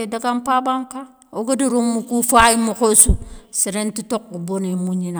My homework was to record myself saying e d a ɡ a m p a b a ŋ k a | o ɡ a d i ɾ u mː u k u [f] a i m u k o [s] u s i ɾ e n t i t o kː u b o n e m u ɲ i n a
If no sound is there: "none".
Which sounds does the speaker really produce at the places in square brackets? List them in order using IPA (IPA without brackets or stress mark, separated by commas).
f, s